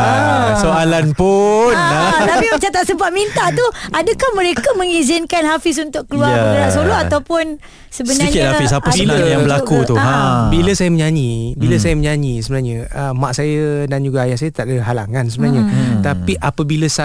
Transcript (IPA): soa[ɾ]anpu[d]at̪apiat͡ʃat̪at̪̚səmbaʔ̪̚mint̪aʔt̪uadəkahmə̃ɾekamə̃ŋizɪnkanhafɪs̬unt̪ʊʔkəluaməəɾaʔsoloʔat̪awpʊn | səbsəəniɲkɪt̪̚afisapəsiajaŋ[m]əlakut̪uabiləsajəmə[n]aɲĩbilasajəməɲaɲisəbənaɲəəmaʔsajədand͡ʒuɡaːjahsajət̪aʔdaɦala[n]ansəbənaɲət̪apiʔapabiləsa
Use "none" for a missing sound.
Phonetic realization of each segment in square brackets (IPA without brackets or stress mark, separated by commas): l, n, b, ɲ, ŋ